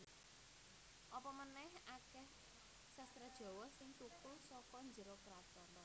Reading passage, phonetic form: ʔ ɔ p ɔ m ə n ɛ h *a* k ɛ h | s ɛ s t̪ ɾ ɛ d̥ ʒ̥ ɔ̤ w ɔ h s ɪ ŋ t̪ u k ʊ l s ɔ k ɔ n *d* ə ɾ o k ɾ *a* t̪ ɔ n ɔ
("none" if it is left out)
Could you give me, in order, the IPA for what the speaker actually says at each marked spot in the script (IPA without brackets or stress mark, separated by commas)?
a, d͡ʒ, a